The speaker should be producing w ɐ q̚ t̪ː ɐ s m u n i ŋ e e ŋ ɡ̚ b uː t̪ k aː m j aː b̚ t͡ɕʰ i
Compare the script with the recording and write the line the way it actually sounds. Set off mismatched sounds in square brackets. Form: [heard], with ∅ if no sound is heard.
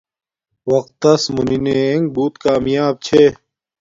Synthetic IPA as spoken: w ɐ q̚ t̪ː ɐ s m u n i [n] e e ŋ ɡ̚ b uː t̪ k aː m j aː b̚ t͡ɕʰ [e]